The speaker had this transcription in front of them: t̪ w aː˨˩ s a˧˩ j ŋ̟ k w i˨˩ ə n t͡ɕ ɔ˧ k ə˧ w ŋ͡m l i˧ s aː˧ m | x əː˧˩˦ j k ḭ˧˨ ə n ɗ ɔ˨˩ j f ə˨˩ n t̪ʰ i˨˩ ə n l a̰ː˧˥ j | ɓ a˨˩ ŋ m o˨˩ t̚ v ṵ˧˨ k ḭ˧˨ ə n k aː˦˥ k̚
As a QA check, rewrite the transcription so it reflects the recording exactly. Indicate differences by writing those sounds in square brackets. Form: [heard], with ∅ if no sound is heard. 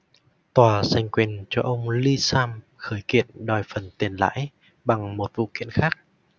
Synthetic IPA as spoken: t̪ w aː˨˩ s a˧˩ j ŋ̟ k w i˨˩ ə n t͡ɕ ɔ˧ [ʔ] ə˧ w ŋ͡m l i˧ s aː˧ m | x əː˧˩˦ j k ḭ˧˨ ə n ɗ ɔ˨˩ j f ə˨˩ n [t̪] i˨˩ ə n l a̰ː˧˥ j | ɓ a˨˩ ŋ m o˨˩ t̚ v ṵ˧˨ k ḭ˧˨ ə n [x] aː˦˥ k̚